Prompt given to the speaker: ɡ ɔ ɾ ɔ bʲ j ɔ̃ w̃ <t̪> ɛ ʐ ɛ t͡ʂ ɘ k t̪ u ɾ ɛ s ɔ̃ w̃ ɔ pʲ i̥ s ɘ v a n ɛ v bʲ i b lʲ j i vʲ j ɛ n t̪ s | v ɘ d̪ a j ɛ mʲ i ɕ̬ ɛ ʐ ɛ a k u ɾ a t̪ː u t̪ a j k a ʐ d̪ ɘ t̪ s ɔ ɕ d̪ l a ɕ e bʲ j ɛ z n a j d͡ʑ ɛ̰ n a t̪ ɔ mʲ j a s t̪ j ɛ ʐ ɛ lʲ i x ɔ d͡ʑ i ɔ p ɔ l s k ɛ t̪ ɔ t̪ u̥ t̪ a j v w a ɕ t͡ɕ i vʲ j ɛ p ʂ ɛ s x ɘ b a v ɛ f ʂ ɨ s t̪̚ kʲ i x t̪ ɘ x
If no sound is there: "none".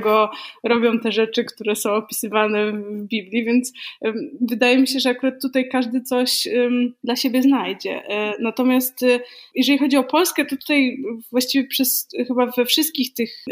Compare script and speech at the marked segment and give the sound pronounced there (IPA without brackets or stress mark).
t̪